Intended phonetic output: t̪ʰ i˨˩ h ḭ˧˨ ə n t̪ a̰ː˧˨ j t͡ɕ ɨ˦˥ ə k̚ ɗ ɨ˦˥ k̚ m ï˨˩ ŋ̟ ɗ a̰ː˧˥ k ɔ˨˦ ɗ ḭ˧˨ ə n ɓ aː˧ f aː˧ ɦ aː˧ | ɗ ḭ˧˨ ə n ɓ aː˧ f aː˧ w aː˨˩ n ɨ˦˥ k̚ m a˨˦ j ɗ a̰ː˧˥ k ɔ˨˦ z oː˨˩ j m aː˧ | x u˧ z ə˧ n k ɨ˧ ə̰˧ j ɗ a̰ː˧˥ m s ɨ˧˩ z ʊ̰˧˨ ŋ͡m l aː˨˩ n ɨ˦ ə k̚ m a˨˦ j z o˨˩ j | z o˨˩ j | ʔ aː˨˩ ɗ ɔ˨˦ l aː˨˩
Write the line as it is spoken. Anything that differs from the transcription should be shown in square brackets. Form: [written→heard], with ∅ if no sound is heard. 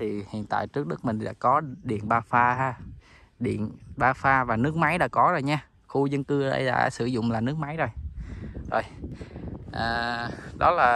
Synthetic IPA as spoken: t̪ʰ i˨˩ h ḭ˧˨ ə n t̪ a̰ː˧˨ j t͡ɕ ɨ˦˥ ə k̚ ɗ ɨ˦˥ k̚ m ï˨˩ ŋ̟ ɗ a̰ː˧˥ k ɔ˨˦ ɗ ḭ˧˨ ə n ɓ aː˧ f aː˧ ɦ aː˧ | ɗ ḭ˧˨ ə n ɓ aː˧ f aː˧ [w→v] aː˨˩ n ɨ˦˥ k̚ m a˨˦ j ɗ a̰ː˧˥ k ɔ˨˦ z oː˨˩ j [m→ɲ] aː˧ | x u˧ z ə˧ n k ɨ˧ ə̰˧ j ɗ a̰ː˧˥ [m→∅] s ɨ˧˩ z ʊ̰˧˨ ŋ͡m l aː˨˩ n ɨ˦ ə k̚ m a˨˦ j z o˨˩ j | z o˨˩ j | ʔ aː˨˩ ɗ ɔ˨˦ l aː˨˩